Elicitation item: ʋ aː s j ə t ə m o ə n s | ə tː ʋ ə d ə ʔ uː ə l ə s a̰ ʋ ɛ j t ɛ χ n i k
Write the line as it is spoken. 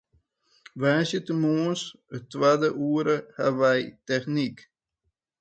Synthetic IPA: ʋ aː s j ə t ə m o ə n s | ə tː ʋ a d ə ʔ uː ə ɾ ə h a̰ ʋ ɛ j t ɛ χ n i k